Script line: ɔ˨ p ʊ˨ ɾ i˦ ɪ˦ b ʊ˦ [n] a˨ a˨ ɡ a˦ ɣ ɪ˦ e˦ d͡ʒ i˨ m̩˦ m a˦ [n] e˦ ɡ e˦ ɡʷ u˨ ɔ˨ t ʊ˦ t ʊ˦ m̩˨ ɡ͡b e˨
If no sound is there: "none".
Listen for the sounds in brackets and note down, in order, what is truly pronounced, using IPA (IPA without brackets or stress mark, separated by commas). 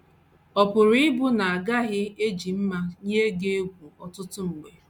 n, ɲ